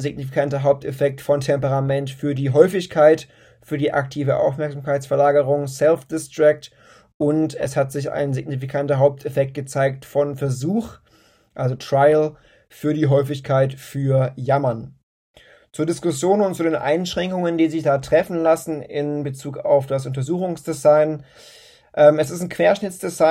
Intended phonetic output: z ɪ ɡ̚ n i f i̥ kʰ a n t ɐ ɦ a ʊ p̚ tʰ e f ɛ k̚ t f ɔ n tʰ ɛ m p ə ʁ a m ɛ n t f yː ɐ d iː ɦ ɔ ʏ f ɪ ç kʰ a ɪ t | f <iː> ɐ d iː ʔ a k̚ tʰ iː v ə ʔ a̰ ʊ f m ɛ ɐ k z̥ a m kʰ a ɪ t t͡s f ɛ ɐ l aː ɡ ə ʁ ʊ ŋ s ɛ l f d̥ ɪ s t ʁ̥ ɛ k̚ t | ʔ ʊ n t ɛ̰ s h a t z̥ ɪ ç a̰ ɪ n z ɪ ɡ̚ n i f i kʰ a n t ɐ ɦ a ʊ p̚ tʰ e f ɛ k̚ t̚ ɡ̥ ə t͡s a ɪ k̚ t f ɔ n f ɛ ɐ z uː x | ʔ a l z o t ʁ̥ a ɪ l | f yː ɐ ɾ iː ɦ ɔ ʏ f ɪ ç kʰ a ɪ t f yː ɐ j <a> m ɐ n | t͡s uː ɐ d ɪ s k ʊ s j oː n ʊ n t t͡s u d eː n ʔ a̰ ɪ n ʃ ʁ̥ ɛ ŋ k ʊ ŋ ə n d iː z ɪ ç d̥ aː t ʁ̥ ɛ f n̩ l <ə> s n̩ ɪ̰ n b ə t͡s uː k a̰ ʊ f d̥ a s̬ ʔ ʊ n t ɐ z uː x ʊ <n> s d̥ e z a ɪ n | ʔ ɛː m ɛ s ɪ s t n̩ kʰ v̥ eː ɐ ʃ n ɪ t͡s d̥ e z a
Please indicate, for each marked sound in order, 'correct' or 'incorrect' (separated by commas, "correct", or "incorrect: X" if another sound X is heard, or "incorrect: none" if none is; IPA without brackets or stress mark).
incorrect: yː, correct, incorrect: a, incorrect: ŋ